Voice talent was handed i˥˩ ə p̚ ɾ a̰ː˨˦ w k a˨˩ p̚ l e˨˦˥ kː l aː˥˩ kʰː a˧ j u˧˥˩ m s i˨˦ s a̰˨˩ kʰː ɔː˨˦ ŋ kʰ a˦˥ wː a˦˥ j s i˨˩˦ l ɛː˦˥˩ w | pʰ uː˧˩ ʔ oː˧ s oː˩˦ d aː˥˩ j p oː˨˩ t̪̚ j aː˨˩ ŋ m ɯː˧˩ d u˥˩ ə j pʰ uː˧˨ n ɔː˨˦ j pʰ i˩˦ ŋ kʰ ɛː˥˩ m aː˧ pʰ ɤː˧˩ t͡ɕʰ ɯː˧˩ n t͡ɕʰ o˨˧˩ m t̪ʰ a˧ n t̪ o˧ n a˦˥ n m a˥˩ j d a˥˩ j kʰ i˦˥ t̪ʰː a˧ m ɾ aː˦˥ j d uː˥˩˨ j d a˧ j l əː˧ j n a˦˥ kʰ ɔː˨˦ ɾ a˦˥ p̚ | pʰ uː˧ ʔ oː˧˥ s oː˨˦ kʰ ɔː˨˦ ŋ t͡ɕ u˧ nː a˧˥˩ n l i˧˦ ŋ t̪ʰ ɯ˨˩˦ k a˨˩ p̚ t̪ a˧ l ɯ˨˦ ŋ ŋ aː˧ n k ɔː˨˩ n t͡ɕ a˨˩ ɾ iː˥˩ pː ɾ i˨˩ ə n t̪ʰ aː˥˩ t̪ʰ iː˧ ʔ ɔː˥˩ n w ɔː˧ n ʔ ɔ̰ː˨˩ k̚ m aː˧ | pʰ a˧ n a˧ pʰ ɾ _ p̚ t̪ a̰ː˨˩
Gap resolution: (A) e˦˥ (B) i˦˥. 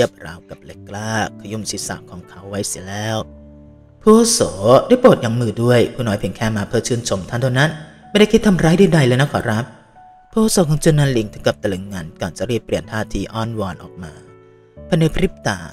B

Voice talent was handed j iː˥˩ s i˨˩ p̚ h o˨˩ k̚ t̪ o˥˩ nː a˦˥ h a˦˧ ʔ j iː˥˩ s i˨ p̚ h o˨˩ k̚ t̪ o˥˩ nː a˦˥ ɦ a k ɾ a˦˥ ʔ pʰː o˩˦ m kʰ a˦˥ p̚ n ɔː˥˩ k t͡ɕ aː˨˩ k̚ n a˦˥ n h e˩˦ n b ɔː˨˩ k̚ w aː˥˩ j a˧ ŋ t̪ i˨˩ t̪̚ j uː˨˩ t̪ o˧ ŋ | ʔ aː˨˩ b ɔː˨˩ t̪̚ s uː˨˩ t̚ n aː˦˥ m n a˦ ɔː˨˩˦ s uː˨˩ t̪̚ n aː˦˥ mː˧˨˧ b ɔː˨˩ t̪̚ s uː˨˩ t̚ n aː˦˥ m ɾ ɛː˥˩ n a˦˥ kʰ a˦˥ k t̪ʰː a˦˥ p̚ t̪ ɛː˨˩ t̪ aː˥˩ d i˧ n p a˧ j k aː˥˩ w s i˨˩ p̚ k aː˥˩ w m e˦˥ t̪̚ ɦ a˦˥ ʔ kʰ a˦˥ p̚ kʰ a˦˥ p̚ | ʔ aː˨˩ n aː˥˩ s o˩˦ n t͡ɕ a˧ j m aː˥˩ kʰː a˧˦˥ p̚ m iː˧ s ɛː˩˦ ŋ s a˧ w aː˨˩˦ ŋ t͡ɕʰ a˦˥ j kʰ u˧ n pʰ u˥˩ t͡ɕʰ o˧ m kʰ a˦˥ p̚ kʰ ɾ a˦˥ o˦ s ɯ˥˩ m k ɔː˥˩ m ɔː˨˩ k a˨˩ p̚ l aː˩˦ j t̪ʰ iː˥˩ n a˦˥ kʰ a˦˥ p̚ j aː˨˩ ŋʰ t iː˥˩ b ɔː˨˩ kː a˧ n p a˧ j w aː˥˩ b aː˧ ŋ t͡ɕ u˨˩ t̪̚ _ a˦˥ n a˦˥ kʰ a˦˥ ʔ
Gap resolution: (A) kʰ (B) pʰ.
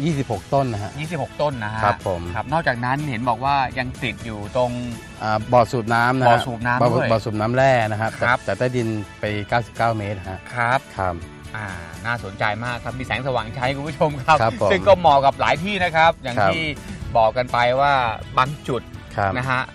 A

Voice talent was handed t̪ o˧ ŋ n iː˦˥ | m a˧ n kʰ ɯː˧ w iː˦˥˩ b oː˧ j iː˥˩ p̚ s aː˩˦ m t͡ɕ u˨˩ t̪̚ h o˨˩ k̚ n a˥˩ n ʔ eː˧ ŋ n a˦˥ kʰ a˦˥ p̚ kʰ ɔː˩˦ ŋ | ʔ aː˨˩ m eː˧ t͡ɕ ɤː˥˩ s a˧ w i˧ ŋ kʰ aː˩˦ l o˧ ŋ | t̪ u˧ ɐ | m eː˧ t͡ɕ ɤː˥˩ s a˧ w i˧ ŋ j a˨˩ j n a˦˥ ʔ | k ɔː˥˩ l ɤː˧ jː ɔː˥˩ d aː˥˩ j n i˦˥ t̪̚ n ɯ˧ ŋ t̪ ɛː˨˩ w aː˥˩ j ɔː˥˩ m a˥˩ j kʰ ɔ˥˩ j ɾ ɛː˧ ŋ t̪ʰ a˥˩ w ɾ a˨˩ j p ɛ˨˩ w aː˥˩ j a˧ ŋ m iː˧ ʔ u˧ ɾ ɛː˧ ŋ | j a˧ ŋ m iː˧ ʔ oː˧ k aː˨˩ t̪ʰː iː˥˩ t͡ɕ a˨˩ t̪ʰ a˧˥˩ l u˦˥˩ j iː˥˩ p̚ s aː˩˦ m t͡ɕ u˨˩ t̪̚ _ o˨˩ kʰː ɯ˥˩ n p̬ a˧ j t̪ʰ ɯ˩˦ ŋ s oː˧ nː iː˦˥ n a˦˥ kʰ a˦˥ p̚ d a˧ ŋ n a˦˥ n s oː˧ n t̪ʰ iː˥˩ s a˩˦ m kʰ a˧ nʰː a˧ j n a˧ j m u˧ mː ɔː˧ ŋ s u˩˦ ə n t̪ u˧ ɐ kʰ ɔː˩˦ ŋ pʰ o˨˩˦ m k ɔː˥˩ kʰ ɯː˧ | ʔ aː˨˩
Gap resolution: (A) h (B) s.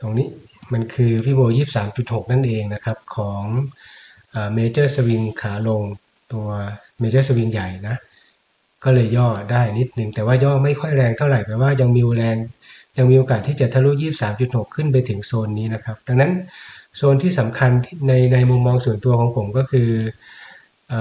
A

